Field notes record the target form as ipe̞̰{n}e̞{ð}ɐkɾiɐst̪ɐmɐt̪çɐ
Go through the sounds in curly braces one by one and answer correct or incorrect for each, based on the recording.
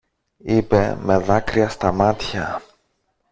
incorrect, correct

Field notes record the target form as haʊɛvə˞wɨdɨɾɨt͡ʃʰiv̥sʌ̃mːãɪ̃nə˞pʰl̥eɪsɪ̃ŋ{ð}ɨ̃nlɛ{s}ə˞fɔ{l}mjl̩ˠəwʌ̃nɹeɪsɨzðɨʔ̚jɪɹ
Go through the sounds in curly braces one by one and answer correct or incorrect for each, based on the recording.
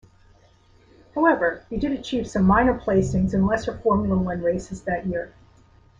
incorrect, correct, incorrect

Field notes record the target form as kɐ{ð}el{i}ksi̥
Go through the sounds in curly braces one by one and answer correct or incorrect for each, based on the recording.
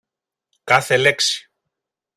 incorrect, incorrect

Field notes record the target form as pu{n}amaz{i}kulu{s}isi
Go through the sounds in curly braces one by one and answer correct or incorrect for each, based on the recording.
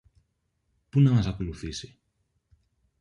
correct, incorrect, incorrect

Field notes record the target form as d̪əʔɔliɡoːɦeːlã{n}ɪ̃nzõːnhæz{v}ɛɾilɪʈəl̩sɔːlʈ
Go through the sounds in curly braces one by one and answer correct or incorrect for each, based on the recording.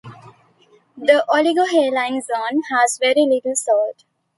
incorrect, incorrect

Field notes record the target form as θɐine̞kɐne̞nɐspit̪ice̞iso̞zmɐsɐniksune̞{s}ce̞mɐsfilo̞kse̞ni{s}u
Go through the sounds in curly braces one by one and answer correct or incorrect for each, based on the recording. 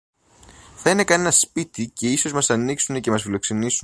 incorrect, correct

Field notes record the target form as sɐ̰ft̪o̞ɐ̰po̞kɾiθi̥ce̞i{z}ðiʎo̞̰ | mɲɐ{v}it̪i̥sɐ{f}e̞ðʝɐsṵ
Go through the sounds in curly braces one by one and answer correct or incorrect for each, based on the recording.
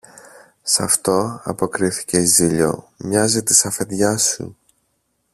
correct, incorrect, correct

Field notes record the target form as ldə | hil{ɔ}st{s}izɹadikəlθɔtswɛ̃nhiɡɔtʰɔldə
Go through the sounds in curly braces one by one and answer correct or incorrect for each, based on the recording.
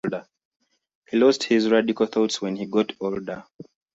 correct, incorrect

